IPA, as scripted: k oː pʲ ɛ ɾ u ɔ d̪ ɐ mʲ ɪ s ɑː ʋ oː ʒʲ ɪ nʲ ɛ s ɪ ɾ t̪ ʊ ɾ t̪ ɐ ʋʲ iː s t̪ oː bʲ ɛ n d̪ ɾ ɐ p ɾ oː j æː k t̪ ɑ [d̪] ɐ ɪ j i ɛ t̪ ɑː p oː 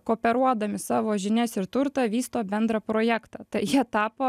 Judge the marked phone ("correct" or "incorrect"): incorrect